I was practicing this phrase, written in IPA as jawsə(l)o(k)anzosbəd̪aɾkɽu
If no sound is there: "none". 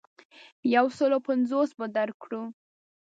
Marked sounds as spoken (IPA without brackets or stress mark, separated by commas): l, p